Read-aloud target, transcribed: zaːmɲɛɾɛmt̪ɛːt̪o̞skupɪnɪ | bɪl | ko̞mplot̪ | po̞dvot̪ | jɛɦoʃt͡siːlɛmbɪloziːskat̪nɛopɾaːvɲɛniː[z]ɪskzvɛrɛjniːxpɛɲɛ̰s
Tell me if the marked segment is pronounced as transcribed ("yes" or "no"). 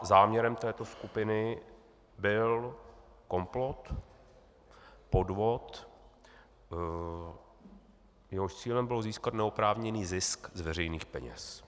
yes